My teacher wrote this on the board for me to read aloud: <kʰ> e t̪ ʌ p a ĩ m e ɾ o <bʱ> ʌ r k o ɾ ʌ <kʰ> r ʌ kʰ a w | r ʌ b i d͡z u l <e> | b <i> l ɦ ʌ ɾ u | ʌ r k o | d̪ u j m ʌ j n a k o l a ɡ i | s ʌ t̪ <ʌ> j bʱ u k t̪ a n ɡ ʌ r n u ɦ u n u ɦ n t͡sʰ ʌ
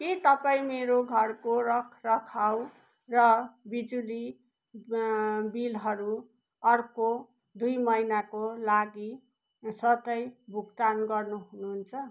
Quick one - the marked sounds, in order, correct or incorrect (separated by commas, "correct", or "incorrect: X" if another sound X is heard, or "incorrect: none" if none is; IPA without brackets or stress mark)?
incorrect: k, incorrect: ɡʱ, correct, incorrect: i, correct, correct